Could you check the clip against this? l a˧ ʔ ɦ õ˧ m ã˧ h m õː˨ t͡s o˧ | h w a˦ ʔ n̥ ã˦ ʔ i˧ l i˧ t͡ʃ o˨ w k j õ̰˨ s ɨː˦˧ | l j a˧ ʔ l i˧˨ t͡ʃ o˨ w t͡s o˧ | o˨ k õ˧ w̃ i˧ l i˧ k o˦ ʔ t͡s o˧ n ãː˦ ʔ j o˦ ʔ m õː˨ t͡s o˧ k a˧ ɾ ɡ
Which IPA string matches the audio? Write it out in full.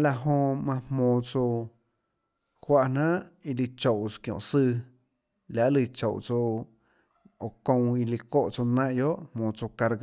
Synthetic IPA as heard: l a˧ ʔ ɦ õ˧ m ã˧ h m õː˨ t͡s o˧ | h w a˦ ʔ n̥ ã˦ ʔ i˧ l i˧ t͡ʃ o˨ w k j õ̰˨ s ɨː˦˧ | l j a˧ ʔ l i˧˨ t͡ʃ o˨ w t͡s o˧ | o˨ k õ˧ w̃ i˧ l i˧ k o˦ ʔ t͡s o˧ n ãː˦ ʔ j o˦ ʔ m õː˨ t͡s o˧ k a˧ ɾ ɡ